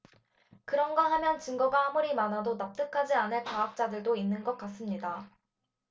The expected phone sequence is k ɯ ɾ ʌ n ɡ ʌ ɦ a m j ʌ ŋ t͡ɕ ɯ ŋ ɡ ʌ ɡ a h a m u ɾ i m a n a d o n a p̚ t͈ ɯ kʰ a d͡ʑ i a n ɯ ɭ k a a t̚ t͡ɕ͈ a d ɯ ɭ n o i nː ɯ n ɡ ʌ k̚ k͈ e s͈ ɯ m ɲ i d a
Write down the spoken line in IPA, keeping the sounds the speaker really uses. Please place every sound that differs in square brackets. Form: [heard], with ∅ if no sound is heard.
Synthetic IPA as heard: k ɯ ɾ ʌ n ɡ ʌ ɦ a m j ʌ [n] t͡ɕ ɯ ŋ ɡ ʌ ɡ a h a m u ɾ i m a n a d o n a p̚ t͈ ɯ kʰ a d͡ʑ i a n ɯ ɭ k a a [k̚] t͡ɕ͈ a d ɯ ɭ [d] o i nː ɯ n ɡ ʌ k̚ k͈ [a] s͈ ɯ m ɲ i d a